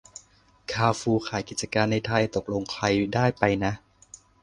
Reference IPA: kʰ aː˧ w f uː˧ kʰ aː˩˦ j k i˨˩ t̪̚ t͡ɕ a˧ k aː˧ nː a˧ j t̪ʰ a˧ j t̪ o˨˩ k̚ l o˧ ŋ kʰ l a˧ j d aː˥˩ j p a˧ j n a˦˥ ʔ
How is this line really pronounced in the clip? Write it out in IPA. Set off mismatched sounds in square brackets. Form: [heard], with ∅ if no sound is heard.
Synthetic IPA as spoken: kʰ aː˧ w f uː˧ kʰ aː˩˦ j k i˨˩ t̪̚ t͡ɕ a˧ k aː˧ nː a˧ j t̪ʰ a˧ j t̪ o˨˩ k̚ l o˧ ŋ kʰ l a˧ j d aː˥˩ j p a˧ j n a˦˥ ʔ